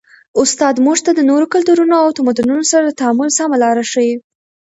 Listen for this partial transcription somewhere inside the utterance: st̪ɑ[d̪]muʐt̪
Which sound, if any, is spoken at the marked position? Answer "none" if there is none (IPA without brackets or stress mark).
d̪